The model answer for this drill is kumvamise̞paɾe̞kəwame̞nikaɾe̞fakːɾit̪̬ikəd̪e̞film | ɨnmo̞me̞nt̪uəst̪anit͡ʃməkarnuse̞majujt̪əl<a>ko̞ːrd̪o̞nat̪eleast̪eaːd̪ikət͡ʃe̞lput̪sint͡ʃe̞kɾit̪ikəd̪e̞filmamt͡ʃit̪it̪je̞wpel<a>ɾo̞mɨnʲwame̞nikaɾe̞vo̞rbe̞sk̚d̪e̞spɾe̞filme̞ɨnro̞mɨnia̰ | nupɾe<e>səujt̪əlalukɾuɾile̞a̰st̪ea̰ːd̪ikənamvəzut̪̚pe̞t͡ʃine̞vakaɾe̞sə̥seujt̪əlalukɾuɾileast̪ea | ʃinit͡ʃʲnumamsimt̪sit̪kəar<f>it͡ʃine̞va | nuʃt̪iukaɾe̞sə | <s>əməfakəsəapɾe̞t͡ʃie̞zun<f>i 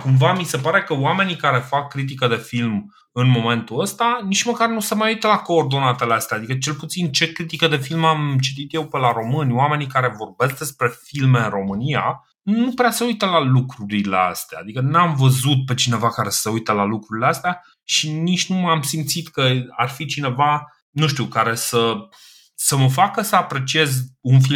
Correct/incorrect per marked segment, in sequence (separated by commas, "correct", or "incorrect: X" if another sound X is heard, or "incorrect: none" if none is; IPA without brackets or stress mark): correct, correct, incorrect: a, correct, correct, correct